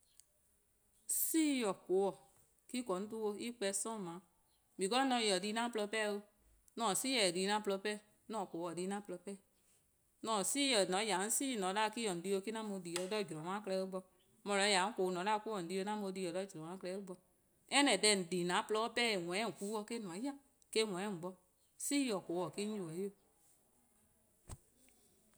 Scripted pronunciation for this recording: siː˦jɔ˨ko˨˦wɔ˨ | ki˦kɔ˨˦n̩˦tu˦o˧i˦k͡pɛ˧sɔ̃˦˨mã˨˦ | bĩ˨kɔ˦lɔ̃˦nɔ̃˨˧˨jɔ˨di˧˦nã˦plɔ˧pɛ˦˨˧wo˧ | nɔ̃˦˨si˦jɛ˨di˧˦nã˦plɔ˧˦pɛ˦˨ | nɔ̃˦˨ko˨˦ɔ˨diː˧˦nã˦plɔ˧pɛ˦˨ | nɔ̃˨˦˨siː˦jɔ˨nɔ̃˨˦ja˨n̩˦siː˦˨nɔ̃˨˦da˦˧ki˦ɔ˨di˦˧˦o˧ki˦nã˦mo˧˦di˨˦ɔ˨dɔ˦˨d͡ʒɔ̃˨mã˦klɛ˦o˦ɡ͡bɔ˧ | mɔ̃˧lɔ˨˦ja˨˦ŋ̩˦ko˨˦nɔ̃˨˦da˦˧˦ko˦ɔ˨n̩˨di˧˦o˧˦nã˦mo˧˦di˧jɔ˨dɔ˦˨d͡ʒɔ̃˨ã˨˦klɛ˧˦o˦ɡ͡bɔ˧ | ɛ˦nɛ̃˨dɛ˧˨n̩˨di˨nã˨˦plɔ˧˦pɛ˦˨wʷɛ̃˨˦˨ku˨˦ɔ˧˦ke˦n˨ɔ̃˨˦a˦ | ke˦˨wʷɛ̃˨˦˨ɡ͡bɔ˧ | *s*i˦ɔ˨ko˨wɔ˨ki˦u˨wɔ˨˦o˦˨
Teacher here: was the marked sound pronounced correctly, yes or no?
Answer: yes